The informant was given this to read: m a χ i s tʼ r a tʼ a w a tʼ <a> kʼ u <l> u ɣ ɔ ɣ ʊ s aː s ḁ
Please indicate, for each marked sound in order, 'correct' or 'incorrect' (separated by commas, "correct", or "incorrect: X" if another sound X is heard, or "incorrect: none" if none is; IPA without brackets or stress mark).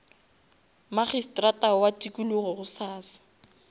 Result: incorrect: i, correct